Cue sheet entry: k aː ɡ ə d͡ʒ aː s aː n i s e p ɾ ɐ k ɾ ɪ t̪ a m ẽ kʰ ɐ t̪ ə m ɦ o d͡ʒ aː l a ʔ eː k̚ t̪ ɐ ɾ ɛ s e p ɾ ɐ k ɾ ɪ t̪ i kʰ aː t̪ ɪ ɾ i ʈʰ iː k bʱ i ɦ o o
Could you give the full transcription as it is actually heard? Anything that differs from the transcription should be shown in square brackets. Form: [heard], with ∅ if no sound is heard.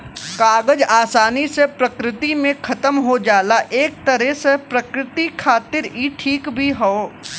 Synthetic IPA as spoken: k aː ɡ ə d͡ʒ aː s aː n i s e p ɾ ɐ k ɾ ɪ t̪ [i] m ẽ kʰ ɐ t̪ ə m ɦ o d͡ʒ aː l a ʔ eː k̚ t̪ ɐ ɾ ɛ s e p ɾ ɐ k ɾ ɪ t̪ i kʰ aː t̪ ɪ ɾ i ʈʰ iː k bʱ i ɦ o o